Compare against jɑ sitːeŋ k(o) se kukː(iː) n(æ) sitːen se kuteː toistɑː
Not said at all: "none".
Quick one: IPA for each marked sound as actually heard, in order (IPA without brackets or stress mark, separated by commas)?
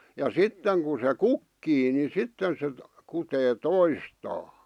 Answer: u, iː, i